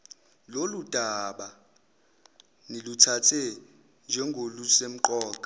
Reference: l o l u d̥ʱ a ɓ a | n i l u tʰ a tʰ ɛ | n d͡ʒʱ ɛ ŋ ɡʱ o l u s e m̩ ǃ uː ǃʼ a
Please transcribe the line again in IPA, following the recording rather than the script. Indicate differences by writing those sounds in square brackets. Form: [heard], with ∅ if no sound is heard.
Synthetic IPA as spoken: l o l u d̥ʱ a ɓ a | n i l u tʰ a tʰ ɛ | n d͡ʒʱ ɛ ŋ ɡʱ o l u s e m̩ ǃ [ɔː] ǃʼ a